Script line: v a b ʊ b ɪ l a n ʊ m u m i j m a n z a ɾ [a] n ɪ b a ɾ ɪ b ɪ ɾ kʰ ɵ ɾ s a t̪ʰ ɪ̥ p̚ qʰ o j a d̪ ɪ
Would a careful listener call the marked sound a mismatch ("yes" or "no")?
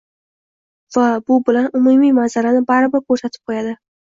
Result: no